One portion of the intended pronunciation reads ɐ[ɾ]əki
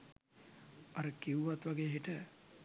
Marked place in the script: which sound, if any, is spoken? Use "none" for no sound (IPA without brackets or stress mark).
ɾ